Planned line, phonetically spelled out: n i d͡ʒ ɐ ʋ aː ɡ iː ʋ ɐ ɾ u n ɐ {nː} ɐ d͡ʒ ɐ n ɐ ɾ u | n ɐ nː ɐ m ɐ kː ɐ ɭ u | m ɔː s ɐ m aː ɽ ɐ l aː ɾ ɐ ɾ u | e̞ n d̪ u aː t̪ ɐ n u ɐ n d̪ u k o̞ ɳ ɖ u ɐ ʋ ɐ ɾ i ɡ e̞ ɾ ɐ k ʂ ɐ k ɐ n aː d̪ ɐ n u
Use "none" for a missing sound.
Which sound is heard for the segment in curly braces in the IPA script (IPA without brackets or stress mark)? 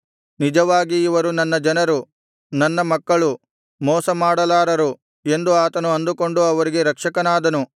nː